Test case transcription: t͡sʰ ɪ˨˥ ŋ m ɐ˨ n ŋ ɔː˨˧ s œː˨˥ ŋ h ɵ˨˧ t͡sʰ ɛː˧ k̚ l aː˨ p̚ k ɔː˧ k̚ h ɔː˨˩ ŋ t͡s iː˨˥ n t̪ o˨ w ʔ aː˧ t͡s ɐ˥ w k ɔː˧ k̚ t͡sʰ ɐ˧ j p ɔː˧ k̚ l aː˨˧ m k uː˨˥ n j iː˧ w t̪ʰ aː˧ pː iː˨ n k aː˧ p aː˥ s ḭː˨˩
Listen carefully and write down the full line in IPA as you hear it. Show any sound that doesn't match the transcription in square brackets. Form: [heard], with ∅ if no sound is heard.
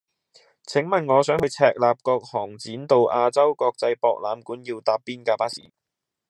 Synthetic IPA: t͡sʰ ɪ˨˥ ŋ m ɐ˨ n ŋ ɔː˨˧ s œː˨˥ ŋ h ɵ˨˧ t͡sʰ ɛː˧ k̚ l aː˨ p̚ k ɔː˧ k̚ h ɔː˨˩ ŋ t͡s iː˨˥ n t̪ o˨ w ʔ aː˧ t͡s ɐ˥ w k ɔː˧ k̚ [t͡s] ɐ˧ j p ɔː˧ k̚ l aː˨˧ m k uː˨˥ n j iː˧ w [t̪] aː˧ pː [iː˥] n k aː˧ p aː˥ s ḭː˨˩